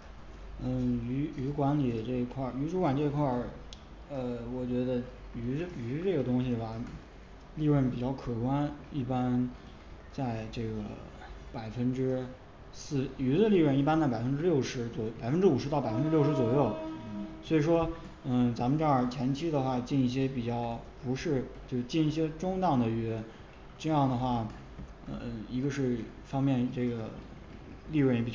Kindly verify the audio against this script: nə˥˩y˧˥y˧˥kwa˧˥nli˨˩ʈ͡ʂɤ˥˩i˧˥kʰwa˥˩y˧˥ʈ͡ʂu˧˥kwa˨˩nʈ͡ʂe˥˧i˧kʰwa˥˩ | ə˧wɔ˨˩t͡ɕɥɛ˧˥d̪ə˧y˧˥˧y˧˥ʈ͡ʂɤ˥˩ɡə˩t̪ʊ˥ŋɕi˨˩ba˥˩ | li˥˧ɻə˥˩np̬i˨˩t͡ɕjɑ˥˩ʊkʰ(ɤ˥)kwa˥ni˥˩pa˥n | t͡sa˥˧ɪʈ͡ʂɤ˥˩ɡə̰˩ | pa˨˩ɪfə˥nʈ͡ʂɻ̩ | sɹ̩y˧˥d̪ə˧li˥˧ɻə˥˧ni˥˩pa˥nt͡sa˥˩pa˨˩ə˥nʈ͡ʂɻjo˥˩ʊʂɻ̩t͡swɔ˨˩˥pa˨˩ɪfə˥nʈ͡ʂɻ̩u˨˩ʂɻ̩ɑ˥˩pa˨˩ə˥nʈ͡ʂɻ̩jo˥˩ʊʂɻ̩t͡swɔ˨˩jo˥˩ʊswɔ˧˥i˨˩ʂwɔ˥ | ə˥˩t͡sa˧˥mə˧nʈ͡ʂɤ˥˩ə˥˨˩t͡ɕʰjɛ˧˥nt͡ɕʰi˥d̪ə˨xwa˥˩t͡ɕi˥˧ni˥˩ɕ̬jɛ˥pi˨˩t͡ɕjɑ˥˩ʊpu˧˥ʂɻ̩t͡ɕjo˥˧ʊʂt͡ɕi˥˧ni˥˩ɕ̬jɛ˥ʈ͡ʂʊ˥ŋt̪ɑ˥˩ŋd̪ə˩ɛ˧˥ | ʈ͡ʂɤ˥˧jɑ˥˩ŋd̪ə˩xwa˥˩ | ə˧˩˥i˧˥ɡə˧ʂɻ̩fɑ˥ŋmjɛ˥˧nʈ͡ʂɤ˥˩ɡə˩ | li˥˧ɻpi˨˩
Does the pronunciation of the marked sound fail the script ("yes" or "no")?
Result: yes